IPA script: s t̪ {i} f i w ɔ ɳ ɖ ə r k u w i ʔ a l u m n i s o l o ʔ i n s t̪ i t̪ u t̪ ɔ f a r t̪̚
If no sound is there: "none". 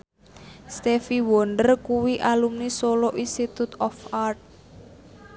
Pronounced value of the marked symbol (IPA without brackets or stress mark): e